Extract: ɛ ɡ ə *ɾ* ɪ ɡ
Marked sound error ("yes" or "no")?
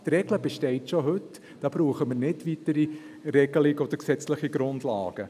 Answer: yes